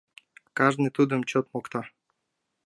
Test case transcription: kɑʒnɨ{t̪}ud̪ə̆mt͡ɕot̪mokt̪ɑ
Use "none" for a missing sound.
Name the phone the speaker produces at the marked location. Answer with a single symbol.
t̪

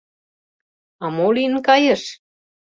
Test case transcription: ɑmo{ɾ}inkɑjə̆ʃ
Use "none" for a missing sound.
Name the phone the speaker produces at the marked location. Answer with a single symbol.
l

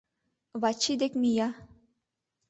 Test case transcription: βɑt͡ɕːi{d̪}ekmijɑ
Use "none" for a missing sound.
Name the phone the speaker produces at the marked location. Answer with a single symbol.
d̪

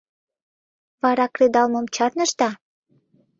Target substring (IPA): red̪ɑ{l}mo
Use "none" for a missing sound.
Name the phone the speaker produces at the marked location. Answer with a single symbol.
l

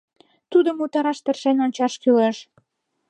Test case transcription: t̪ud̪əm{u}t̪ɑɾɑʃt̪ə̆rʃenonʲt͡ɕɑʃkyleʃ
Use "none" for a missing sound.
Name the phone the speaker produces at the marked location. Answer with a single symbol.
u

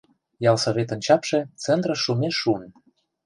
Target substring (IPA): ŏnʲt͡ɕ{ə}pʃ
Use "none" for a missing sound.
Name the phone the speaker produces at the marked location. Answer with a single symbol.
ɑ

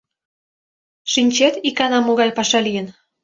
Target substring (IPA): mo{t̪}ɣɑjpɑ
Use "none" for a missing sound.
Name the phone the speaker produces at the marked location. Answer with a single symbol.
none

